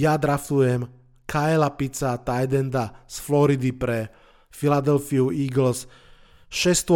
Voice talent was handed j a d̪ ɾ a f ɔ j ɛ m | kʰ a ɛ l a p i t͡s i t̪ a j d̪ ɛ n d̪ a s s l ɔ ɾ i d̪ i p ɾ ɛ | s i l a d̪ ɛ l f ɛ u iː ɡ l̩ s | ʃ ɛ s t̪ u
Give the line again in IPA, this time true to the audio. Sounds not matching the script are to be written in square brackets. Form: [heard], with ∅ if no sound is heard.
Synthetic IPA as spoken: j a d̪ ɾ a f [u] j ɛ m | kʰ a ɛ l a p i t͡s [a] t̪ a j d̪ ɛ n d̪ a s [f] l ɔ ɾ i d̪ i p ɾ ɛ | [f] i l a d̪ ɛ l f [i] u iː ɡ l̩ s | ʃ ɛ s t̪ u